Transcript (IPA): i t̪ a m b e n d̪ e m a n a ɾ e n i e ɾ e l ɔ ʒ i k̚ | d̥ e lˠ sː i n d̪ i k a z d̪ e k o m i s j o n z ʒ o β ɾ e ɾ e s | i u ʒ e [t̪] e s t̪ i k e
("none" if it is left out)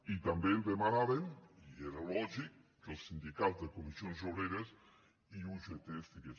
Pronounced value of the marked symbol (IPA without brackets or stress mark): t̪